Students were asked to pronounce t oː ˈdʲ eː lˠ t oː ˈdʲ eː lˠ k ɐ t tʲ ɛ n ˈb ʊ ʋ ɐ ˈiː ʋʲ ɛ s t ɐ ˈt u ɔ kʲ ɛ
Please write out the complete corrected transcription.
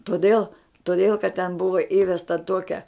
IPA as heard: t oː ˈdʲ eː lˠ t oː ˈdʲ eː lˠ k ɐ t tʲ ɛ n ˈb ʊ ʋ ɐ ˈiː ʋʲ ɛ s t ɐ ˈt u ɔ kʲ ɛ